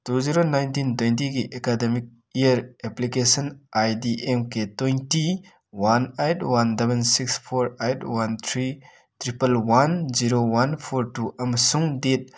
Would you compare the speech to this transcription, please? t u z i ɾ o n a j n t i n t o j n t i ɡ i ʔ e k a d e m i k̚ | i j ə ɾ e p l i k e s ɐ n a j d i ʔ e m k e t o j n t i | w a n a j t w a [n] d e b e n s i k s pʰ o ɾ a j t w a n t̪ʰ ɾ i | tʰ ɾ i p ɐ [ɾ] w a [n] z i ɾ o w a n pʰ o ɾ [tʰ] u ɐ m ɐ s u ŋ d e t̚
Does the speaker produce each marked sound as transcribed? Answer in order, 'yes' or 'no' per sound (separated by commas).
yes, no, yes, no